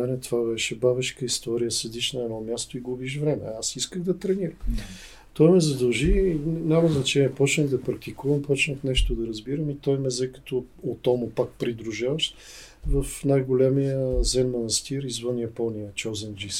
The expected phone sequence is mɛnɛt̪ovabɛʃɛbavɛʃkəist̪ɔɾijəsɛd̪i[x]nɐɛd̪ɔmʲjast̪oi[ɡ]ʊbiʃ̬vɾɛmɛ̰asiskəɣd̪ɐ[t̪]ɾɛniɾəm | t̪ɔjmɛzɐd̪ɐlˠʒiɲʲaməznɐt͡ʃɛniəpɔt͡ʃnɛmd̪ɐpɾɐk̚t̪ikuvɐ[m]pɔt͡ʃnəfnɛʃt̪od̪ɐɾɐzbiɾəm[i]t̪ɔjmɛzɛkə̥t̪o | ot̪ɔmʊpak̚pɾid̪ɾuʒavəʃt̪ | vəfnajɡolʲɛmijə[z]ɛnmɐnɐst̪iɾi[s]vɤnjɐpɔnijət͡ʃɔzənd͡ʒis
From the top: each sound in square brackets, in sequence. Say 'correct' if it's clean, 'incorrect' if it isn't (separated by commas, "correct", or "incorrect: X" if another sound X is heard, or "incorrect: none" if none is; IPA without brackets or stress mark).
incorrect: ʃ, correct, correct, correct, correct, correct, incorrect: z